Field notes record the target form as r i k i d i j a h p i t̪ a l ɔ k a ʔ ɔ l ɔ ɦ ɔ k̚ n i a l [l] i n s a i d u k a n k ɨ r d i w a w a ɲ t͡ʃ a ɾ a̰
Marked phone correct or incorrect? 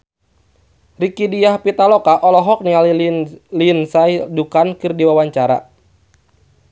correct